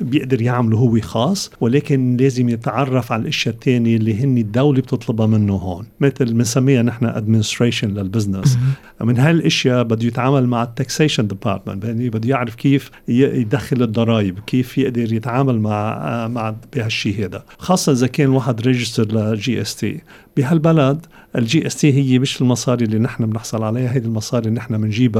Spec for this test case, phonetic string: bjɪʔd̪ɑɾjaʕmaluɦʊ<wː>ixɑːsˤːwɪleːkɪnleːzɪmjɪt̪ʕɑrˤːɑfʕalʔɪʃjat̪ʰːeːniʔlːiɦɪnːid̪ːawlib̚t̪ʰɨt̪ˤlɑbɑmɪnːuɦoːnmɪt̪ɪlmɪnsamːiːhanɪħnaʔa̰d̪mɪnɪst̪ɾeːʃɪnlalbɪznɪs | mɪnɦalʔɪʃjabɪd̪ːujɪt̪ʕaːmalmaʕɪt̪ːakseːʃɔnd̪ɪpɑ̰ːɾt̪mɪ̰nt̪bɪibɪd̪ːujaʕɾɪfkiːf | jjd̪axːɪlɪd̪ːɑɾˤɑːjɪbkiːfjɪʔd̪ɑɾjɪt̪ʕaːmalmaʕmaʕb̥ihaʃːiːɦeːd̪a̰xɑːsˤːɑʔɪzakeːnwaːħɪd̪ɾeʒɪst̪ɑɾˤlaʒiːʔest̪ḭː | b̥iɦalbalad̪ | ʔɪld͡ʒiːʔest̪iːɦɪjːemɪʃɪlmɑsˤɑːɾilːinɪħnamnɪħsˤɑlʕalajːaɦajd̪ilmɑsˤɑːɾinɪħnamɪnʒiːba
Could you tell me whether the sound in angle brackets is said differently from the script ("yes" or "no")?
no